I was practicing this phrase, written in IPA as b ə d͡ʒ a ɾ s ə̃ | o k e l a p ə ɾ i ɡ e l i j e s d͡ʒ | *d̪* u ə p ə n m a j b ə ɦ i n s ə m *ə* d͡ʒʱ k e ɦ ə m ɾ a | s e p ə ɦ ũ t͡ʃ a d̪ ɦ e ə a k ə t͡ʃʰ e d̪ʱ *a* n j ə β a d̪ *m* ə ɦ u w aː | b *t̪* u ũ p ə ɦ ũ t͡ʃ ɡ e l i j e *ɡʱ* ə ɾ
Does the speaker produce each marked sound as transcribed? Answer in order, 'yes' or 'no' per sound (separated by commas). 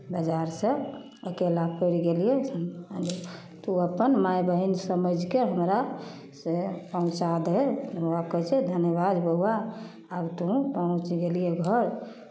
no, yes, no, no, yes, yes